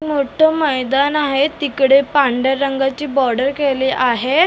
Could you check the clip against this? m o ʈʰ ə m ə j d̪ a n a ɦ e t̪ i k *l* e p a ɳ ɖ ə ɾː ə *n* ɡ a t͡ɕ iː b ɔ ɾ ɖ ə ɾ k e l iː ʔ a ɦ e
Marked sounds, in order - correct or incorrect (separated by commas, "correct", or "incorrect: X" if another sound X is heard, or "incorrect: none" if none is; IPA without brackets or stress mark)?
incorrect: ɽ, incorrect: ŋ